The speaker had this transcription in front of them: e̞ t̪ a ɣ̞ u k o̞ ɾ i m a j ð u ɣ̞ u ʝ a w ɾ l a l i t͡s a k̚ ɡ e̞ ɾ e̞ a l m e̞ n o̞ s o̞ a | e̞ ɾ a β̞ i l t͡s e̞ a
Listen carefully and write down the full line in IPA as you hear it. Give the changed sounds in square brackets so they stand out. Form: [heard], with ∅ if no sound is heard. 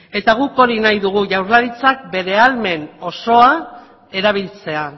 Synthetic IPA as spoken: e̞ t̪ a ɣ̞ u k o̞ ɾ i [n] a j ð u ɣ̞ u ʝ a w ɾ l a [ɾ] i t͡s a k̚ [b] e̞ ɾ e̞ a l m e̞ n o̞ s o̞ a | e̞ ɾ a β̞ i l t͡s e̞ a